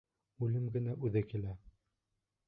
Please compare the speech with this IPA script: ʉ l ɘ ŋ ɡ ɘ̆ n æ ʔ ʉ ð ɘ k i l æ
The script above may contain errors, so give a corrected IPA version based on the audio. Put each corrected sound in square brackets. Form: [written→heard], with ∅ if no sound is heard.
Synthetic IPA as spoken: ʉ l ɘ [ŋ→m] ɡ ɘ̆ n æ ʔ ʉ ð ɘ k i l æ